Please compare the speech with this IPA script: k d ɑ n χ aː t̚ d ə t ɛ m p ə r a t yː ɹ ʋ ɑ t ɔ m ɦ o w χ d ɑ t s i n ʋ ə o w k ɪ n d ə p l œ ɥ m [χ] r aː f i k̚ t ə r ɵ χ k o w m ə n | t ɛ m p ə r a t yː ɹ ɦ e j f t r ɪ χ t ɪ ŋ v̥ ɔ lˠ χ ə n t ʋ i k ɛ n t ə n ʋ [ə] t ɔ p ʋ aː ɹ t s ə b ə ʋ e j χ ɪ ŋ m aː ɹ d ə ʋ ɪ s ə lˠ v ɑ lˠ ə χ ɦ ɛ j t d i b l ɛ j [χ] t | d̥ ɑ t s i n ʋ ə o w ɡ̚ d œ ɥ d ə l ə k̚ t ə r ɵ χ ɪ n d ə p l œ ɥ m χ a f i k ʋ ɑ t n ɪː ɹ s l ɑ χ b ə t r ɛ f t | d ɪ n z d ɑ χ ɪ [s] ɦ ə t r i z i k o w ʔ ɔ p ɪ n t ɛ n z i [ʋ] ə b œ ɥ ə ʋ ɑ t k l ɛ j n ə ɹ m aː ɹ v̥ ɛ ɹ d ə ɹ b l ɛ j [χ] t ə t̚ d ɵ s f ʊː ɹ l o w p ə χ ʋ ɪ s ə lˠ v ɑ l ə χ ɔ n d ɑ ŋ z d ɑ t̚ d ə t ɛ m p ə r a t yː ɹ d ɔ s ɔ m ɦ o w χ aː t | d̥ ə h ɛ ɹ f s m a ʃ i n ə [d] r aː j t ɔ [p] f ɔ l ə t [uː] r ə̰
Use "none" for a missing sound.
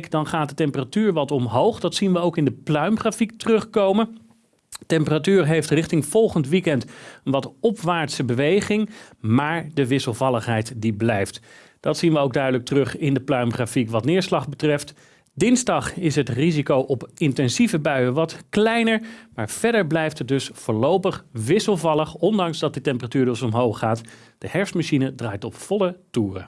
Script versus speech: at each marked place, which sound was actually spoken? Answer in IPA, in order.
χ, ɑ, f, s, v, f, d, p, uː

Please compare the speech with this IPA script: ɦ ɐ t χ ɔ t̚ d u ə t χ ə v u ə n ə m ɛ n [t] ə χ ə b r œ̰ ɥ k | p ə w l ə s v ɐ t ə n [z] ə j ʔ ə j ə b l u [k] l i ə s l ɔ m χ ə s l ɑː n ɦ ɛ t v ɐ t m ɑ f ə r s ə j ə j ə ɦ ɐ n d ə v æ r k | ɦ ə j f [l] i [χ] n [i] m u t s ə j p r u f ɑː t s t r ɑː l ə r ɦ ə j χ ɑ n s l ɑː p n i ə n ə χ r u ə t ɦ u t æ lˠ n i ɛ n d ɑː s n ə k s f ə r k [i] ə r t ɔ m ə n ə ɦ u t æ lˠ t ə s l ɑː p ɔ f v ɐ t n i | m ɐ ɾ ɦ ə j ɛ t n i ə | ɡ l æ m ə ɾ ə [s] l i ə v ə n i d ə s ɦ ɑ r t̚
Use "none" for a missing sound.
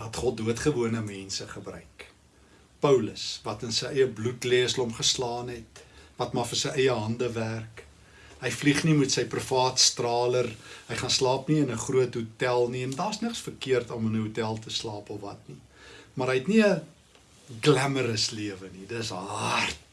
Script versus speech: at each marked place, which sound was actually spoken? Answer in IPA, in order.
s, s, t, l, χ, i, i, s

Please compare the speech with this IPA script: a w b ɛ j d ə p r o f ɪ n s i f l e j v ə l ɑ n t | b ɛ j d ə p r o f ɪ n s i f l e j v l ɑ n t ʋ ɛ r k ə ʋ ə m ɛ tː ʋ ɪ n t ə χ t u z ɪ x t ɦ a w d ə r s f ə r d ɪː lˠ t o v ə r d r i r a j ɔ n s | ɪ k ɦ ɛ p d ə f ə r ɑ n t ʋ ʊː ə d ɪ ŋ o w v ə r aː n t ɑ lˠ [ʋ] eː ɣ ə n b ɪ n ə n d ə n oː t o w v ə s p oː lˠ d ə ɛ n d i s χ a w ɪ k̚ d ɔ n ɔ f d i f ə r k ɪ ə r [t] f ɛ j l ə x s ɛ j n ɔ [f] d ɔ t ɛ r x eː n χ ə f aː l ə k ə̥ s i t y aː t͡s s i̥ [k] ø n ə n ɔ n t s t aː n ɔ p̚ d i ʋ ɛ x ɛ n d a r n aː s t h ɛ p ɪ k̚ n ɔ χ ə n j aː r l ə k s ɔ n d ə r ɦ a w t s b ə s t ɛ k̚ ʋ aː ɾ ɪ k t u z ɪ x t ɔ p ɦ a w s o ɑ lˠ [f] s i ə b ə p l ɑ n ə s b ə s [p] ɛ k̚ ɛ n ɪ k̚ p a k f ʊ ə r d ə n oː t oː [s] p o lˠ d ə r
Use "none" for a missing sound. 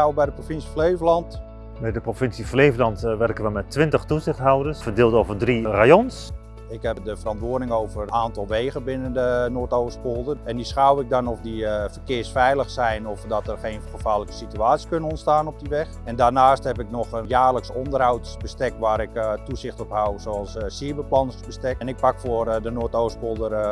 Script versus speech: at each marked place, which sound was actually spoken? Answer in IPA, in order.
ʋ, s, f, k, s, t, s

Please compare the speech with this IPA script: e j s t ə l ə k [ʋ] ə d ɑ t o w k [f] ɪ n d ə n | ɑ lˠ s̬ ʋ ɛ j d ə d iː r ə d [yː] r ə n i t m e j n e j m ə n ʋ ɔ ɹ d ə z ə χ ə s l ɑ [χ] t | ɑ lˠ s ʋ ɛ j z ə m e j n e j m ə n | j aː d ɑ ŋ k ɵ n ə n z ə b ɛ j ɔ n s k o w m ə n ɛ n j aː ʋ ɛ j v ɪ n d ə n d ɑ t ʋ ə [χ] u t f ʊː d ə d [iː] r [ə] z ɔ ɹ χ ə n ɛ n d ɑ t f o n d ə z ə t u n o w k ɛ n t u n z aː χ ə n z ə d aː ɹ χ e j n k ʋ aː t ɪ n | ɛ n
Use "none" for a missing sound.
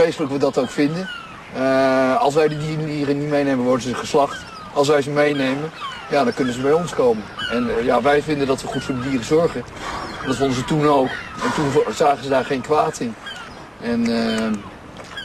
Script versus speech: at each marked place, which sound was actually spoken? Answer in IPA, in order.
ʋ, f, iː, χ, χ, iː, ə

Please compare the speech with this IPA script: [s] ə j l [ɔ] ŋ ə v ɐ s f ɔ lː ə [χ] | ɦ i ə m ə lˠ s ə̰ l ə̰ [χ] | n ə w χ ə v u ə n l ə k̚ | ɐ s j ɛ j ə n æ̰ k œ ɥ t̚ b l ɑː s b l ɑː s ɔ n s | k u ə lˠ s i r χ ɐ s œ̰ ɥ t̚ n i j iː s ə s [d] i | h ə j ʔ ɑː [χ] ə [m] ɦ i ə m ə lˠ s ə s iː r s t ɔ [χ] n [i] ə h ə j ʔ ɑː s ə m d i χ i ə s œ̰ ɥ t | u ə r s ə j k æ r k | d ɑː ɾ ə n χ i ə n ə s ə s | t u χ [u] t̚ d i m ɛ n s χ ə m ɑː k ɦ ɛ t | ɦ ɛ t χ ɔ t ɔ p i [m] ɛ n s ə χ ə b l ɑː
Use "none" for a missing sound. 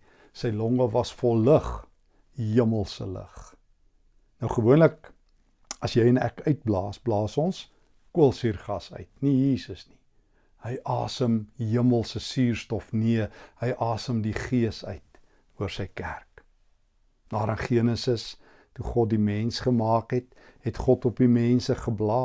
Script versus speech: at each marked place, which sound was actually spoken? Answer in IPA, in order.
s, ɔ, χ, χ, n, s, m, f, i, ɔ, m

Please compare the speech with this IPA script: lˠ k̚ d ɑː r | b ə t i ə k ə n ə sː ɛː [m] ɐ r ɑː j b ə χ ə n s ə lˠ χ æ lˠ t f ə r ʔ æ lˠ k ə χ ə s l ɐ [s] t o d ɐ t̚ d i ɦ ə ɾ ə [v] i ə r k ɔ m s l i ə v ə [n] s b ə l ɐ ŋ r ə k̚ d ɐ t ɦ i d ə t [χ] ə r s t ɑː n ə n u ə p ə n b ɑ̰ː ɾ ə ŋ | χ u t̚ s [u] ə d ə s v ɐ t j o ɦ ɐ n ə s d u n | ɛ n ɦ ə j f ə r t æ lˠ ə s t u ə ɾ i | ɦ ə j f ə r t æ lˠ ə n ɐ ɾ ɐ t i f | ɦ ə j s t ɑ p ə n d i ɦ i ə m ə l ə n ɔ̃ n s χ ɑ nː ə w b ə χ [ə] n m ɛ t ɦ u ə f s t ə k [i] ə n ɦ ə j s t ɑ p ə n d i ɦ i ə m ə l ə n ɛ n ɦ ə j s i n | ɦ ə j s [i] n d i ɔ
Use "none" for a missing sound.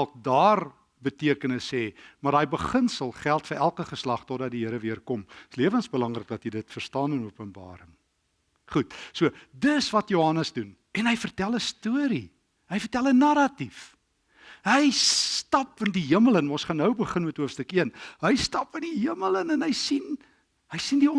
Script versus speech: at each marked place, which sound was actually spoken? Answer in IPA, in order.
m, χ, v, n, f, u, ə, i, i

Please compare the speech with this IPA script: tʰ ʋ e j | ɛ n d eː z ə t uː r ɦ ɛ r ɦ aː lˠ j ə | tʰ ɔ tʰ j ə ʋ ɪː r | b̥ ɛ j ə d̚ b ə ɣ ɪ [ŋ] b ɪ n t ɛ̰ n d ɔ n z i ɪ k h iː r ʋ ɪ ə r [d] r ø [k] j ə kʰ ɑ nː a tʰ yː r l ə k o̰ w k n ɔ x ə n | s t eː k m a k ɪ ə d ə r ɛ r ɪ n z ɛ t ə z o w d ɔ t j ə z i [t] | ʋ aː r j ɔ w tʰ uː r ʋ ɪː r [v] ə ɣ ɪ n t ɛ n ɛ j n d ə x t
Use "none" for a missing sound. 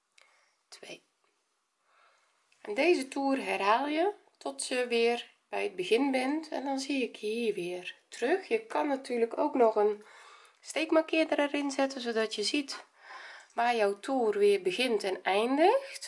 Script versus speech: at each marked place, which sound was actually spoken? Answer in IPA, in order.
n, t, x, t, b

